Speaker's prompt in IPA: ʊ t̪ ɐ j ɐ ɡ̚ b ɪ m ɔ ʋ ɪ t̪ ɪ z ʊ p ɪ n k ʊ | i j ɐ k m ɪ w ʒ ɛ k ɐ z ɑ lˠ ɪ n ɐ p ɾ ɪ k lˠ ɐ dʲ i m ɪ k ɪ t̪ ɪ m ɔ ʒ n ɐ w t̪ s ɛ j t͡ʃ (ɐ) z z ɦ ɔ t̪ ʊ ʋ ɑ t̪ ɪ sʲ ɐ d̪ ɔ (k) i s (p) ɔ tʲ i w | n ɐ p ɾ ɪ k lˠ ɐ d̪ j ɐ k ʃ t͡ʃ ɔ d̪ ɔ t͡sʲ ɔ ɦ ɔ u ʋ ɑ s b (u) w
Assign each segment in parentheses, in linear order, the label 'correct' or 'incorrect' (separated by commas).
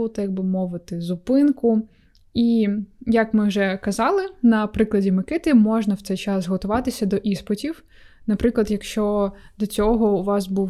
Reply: incorrect, incorrect, correct, correct